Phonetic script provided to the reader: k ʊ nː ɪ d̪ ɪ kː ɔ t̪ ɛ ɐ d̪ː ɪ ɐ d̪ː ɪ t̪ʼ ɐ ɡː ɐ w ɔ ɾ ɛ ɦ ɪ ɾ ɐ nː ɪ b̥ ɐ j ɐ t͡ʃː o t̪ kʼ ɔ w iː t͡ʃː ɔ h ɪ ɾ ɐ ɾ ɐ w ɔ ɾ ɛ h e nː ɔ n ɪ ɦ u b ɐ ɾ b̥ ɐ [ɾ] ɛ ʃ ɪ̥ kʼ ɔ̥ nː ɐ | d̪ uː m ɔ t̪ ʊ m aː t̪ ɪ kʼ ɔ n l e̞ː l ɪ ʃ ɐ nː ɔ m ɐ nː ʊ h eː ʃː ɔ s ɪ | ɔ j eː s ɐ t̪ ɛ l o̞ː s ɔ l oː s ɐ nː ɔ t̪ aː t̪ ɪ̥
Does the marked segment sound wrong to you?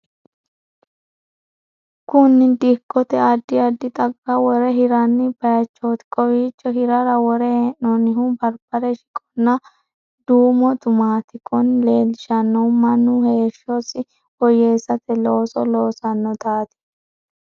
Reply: no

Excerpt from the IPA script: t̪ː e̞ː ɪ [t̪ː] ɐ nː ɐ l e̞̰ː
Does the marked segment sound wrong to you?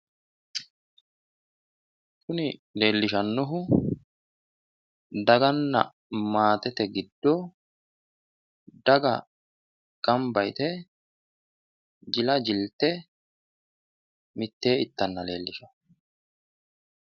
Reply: no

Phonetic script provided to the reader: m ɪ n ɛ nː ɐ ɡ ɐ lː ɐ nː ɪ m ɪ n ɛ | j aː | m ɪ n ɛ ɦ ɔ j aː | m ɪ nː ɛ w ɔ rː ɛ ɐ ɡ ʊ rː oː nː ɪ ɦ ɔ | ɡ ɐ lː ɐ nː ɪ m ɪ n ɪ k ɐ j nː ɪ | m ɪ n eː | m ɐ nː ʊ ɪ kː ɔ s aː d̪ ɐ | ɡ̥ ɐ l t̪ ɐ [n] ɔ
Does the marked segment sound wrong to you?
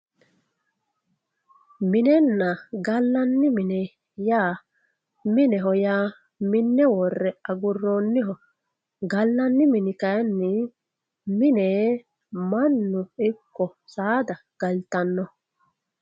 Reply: yes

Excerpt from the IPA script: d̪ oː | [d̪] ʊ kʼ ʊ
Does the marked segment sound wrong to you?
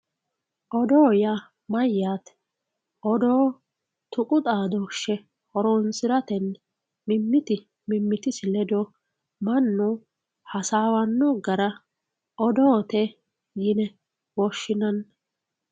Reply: yes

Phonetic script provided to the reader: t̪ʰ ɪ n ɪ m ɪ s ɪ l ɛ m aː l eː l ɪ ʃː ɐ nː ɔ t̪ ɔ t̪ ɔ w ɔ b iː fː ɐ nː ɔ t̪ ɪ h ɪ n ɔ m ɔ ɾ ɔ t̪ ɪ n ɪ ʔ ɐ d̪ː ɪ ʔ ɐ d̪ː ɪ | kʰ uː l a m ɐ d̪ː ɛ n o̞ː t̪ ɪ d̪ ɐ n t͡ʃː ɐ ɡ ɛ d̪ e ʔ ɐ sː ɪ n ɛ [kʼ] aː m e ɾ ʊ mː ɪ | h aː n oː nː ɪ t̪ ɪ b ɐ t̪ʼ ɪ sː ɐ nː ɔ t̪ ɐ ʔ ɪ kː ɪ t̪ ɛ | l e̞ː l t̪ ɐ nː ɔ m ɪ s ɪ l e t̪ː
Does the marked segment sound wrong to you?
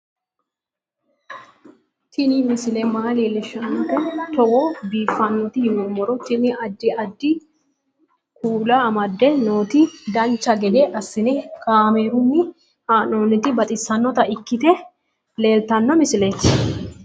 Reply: yes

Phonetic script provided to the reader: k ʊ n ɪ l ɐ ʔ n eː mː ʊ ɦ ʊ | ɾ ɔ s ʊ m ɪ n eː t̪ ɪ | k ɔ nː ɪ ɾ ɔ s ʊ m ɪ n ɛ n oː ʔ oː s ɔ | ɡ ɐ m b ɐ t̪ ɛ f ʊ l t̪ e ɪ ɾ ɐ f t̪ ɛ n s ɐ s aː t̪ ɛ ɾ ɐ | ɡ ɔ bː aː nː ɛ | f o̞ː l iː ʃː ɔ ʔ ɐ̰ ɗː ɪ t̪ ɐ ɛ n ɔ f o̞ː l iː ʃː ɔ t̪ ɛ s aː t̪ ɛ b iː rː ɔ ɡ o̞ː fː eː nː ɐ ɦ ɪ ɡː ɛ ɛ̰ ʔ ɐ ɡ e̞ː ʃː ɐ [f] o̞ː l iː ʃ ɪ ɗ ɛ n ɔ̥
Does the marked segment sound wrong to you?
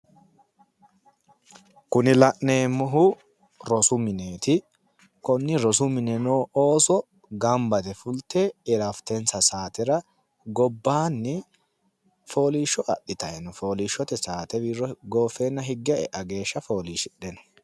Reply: no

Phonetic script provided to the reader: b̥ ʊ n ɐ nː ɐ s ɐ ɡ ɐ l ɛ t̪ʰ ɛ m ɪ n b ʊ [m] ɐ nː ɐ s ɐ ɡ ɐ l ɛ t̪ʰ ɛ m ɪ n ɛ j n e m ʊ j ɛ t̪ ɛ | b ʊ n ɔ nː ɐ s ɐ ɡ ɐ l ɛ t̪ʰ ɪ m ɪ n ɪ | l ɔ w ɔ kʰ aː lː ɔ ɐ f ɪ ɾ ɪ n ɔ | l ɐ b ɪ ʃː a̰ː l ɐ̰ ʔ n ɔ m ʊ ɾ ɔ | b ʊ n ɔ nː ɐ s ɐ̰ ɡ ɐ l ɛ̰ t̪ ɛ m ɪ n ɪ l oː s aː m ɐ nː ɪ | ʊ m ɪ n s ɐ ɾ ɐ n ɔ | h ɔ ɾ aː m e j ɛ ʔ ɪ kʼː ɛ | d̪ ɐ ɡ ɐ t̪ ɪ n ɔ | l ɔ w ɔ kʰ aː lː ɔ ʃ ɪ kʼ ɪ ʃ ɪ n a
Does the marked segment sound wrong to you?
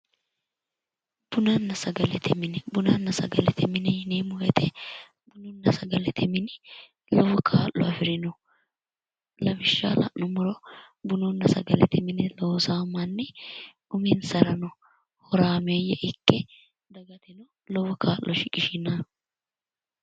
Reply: yes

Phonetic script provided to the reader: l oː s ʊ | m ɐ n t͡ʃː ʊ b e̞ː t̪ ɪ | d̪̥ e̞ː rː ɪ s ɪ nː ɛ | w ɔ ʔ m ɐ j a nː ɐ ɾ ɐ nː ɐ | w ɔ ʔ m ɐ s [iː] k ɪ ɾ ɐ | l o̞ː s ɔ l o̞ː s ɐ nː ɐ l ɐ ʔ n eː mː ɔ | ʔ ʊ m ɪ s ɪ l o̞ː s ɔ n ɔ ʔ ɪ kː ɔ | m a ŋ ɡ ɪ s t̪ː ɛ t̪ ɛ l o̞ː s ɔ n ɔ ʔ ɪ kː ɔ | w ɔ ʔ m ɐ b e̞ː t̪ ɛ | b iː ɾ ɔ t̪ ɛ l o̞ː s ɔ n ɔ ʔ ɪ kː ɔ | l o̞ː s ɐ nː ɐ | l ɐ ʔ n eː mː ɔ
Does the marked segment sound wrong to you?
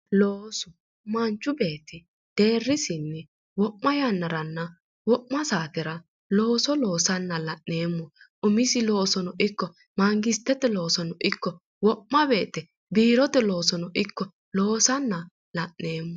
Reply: yes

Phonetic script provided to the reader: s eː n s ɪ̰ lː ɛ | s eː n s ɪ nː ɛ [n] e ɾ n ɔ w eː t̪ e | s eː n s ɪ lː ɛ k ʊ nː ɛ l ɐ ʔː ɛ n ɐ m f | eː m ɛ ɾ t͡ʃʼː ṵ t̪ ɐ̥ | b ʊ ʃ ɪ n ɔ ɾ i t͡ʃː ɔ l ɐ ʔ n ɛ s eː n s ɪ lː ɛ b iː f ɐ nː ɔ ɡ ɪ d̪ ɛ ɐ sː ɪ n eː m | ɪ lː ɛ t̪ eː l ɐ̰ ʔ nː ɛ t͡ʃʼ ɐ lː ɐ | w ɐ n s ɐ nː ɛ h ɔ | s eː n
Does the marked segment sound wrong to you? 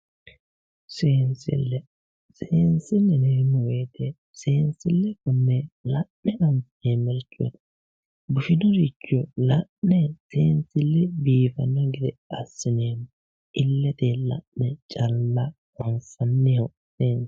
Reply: no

